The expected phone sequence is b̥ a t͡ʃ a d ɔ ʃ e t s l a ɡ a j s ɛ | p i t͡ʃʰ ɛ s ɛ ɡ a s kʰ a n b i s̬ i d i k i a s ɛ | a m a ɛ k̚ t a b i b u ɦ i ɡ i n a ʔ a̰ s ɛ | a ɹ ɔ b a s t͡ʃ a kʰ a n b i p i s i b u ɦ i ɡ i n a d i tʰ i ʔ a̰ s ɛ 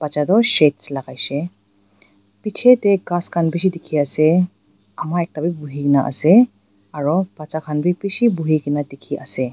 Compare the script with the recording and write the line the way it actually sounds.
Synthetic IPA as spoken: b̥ a t͡ʃ a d ɔ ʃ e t s l a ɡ a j s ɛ | p i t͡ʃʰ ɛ t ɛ ɡ a s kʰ a n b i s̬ i d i kʰ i a s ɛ | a m a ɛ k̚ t a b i b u ɦ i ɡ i n a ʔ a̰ s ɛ | a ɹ ɔ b a t͡ʃ a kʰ a n b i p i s i b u ɦ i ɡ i n a d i kʰ i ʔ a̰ s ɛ